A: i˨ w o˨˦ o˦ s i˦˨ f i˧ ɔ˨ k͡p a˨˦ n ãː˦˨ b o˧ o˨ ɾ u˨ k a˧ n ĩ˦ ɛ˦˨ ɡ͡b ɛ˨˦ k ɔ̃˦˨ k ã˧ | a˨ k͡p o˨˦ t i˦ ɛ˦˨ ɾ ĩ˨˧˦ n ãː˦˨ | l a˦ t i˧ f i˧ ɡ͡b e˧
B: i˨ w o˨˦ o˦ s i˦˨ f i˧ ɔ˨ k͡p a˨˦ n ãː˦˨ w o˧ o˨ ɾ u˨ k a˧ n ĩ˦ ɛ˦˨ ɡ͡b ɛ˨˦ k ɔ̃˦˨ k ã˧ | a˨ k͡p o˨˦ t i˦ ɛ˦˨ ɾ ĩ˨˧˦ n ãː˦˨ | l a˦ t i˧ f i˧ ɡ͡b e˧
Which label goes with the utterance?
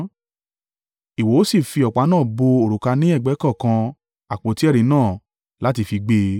A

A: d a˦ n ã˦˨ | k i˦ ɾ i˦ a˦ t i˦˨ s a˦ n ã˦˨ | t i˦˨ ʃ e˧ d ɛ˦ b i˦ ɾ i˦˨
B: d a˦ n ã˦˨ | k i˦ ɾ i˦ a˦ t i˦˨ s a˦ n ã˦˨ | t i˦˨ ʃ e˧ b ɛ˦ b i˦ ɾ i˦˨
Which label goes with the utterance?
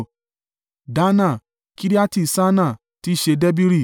A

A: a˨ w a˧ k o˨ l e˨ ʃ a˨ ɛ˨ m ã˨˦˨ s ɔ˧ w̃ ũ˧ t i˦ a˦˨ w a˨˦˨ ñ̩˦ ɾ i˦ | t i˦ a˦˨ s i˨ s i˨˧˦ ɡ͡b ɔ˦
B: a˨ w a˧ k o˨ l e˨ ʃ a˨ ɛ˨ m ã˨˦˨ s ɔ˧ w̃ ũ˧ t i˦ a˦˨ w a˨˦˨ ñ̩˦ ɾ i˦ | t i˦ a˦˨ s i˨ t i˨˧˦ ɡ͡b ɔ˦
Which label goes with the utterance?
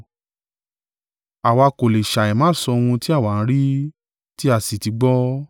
B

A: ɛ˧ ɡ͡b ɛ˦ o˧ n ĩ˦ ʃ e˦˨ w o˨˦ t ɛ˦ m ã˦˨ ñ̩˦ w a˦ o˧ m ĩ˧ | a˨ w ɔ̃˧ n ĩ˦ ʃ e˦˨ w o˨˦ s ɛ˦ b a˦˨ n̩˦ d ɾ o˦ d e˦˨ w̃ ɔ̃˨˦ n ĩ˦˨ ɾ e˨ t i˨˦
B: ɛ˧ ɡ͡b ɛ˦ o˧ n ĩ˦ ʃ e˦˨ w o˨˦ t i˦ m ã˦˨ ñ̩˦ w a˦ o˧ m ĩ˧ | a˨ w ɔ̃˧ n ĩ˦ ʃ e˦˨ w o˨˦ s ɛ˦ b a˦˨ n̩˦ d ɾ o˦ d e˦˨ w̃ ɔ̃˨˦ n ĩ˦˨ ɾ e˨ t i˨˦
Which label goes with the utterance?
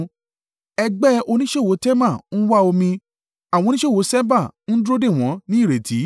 A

